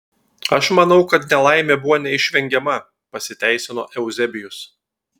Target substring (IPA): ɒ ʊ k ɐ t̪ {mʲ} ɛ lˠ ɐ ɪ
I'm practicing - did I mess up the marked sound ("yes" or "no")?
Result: yes